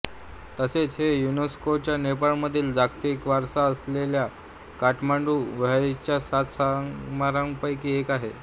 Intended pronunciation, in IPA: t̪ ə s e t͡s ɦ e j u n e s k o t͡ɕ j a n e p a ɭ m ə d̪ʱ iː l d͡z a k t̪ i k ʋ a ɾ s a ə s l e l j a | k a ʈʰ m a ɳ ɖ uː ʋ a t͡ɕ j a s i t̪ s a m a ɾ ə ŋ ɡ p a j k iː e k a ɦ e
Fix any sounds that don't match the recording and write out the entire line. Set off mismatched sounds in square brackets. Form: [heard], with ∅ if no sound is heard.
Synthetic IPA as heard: t̪ ə s e t͡s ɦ e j u n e s k o t͡ɕ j a n e p a ɭ m ə d̪ʱ iː l d͡z a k t̪ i k ʋ a ɾ s a ə s l e l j a | k a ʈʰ m a ɳ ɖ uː ʋ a t͡ɕ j a s [a] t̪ s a m a ɾ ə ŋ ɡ p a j k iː e k a ɦ e